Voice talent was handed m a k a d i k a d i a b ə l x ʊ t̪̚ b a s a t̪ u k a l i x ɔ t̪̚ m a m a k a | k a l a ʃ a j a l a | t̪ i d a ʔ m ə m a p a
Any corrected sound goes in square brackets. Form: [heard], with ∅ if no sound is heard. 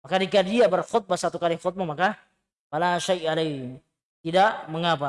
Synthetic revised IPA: m a k a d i k a d i a b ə [r] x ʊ t̪̚ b a s a t̪ u k a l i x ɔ t̪̚ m a m a k a | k a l a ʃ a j a l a | t̪ i d a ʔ m ə [ŋ] a p a